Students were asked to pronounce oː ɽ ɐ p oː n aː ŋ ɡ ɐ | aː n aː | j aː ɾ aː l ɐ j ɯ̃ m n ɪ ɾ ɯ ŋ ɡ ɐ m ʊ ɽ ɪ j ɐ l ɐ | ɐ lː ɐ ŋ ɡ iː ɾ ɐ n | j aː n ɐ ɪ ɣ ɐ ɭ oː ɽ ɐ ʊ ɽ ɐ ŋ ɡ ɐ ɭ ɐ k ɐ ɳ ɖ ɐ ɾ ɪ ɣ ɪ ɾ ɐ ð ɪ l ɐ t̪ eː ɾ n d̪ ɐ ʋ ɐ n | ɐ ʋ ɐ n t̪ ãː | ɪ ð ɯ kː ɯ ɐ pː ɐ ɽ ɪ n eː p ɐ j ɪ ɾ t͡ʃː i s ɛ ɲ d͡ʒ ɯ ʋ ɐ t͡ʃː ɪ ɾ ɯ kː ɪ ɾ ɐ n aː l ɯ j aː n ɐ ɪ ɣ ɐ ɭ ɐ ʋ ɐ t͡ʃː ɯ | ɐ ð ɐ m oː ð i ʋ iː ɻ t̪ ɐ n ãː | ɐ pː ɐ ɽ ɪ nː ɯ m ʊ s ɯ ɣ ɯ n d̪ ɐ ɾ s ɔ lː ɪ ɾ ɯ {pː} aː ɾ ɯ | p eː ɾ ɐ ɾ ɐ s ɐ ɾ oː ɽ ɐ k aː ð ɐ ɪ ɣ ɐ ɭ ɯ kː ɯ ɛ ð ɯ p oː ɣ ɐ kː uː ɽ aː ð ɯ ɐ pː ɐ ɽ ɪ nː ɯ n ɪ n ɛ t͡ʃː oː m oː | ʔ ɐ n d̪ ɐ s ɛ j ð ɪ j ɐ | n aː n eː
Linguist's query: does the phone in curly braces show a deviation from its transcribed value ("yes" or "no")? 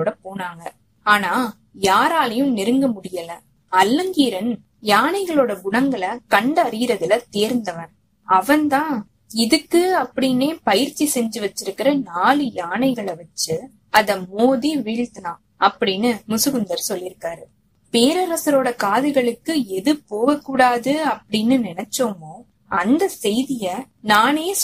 yes